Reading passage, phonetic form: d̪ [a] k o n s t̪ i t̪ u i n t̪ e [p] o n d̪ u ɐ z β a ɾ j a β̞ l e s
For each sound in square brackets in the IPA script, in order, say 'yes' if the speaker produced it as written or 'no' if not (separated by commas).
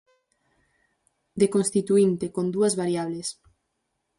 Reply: no, no